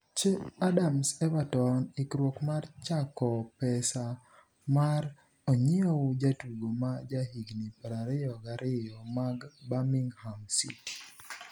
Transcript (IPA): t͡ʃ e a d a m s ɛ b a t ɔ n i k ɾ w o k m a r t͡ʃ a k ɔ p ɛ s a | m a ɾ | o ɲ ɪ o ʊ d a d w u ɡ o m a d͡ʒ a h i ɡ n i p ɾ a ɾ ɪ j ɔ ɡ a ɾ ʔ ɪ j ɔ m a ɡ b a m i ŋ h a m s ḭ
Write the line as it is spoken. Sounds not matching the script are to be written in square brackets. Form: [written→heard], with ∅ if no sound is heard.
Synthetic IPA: t͡ʃ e a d a m s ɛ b a t ɔ n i k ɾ w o k m a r t͡ʃ a k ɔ p ɛ s a | m a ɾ | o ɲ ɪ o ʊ [d→d͡ʒ] a [d→t] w u ɡ o m a d͡ʒ a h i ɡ n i p ɾ a ɾ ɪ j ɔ ɡ a ɾ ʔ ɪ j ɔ m a ɡ b a m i ŋ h a m s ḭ